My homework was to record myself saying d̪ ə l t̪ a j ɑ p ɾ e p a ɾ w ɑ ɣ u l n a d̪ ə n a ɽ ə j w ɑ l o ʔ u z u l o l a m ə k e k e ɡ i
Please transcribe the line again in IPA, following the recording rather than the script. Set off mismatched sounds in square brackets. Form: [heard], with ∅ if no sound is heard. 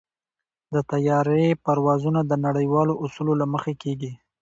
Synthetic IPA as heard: d̪ ə [∅] t̪ a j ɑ [∅] ɾ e p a ɾ w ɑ [z] u [∅] n a d̪ ə n a ɽ ə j w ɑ l o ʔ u [s] u l o l a m ə [x] e k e ɡ i